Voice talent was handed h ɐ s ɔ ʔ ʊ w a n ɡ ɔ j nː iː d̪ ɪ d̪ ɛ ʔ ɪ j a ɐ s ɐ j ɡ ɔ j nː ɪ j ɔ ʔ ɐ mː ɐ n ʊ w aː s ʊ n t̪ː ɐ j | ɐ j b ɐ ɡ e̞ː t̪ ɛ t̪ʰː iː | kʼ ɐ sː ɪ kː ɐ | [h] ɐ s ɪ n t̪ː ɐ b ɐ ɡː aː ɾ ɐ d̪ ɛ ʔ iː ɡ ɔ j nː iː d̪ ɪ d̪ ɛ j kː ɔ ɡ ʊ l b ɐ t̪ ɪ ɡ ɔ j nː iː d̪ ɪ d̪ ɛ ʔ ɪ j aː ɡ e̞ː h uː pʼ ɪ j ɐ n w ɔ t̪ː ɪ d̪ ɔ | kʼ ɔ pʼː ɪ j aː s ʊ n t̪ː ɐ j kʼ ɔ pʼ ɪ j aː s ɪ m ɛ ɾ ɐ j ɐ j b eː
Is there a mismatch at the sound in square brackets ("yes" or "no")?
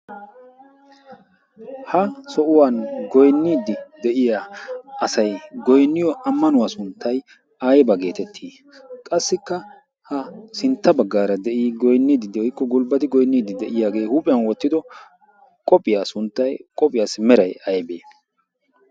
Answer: no